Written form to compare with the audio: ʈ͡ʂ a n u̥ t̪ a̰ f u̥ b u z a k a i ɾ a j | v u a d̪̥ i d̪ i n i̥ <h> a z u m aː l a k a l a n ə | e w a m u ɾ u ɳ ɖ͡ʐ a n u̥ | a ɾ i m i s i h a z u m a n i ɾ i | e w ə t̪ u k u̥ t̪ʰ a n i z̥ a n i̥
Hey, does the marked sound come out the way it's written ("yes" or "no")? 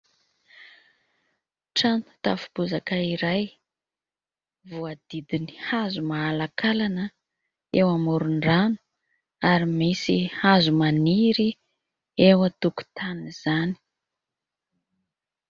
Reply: yes